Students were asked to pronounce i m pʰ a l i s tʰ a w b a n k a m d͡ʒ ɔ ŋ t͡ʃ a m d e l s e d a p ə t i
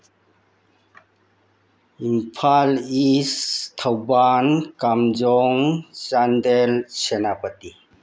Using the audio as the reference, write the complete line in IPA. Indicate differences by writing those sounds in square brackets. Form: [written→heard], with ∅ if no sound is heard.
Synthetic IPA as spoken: i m pʰ a l i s tʰ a w b a n k a m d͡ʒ ɔ ŋ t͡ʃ a [m→n] d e l s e [d→n] a p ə t i